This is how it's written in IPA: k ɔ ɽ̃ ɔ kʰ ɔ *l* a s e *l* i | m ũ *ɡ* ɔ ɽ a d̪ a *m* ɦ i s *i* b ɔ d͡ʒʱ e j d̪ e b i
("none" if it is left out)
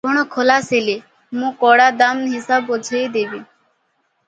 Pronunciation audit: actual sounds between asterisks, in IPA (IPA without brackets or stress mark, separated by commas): l, l, k, m, a